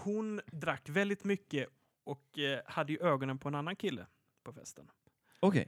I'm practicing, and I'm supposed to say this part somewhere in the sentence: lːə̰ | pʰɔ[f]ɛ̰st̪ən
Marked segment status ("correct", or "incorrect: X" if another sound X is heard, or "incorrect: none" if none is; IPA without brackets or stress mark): correct